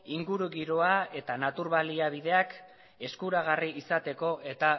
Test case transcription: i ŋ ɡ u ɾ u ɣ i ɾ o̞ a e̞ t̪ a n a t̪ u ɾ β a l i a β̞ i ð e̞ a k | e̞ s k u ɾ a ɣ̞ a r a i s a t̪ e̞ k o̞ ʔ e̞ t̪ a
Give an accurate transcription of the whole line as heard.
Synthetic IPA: i ŋ ɡ u ɾ u ɣ i ɾ o̞ a e̞ t̪ a n a t̪ u ɾ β a l i a β̞ i ð e̞ a k | e̞ s k u ɾ a ɣ̞ a r i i s a t̪ e̞ k o̞ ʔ e̞ t̪ a